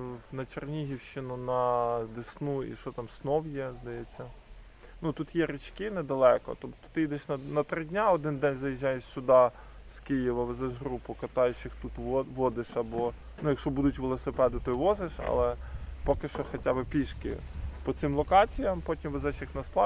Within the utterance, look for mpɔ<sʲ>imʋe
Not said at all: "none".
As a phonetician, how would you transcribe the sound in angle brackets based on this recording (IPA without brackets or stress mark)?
tʲ